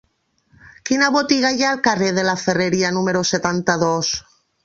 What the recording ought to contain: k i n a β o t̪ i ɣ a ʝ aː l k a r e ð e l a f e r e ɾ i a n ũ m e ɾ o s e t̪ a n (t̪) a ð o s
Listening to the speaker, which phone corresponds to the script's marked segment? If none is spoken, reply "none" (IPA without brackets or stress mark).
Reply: t̪